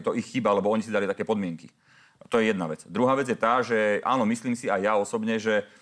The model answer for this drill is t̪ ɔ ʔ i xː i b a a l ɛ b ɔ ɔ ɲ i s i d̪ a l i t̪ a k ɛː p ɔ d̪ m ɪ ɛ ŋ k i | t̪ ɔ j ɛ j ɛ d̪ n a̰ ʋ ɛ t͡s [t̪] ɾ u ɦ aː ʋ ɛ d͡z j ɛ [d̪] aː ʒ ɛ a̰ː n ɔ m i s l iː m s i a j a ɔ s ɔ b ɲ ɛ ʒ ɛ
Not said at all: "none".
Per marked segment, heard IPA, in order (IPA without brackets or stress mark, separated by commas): d̪, t̪